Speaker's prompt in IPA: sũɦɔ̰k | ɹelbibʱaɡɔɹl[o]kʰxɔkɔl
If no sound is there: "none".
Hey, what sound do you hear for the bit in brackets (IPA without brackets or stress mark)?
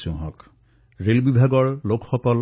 o